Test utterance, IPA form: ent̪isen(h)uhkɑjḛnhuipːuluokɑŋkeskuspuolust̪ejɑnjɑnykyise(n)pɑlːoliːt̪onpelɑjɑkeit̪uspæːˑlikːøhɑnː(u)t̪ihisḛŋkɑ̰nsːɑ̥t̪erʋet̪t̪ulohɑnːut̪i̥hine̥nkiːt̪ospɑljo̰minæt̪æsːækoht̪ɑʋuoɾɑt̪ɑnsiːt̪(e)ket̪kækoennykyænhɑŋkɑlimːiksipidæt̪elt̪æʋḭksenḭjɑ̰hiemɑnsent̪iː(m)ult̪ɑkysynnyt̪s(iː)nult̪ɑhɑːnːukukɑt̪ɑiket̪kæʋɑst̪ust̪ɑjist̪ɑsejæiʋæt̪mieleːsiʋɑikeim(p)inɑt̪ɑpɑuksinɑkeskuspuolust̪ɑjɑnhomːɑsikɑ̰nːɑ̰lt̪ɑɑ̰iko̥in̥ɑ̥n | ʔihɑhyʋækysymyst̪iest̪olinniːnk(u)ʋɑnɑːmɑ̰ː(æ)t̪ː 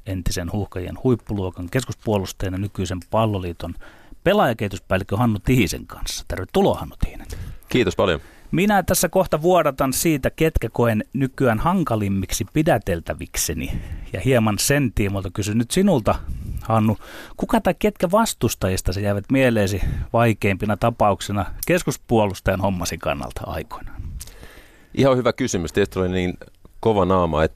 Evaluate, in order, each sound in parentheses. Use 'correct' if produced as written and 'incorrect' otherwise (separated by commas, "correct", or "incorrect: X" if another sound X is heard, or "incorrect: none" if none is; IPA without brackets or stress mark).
correct, incorrect: m, correct, incorrect: æ, correct, incorrect: i, correct, incorrect: o, incorrect: e